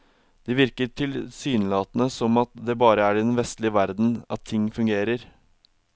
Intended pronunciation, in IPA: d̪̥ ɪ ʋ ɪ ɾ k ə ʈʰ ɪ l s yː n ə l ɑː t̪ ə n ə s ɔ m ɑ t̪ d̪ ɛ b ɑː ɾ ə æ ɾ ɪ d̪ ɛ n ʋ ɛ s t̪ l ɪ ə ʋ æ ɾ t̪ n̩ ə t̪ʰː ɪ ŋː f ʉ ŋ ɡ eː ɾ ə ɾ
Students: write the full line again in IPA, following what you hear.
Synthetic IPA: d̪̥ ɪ ʋ ɪ ɾ k ə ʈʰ ɪ l s yː n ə l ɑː t̪ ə n ə s ɔ m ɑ t̪ d̪ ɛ b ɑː ɾ ə æ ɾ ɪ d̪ ɛ n ʋ ɛ s t̪ l ɪ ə ʋ æ ɾ d̪ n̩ ɑ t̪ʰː ɪ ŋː f ʉ ŋ ɡ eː ɾ ə ɾ